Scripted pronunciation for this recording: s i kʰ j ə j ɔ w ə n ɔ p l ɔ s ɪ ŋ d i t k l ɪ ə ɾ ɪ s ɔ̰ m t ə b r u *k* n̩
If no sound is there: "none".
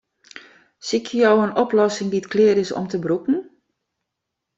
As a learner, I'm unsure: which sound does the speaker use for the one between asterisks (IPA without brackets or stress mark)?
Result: k